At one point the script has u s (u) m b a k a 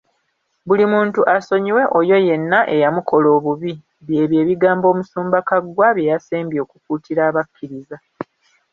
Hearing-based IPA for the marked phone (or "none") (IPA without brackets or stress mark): uː